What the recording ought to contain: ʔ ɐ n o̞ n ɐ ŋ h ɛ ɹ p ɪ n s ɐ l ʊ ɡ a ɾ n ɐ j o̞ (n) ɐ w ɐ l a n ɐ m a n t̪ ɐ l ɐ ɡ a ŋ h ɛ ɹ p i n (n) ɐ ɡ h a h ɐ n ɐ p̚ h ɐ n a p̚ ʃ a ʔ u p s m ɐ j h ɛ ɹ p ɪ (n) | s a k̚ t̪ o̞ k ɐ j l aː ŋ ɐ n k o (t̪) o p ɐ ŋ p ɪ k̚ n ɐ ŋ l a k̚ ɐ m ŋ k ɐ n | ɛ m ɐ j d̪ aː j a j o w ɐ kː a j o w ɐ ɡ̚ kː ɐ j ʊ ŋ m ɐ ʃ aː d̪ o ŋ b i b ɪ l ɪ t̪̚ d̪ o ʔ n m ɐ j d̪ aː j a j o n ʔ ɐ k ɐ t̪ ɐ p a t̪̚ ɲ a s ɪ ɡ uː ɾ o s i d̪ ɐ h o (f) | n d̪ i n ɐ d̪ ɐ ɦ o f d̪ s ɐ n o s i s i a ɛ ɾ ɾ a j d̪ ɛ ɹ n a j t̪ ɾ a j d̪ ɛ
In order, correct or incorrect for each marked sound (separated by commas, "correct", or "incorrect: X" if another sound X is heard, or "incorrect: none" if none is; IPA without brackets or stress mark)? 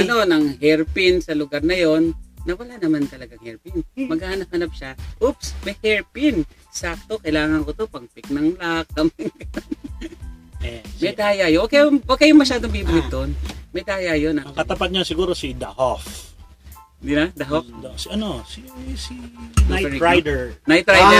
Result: incorrect: nː, incorrect: m, correct, correct, correct